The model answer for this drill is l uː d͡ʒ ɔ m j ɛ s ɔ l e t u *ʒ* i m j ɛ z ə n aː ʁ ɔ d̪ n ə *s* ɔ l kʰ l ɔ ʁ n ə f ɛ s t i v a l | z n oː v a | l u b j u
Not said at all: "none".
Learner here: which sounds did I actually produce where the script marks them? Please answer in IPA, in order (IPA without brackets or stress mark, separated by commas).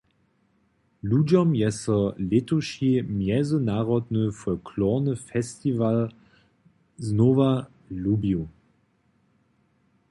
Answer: ʃ, f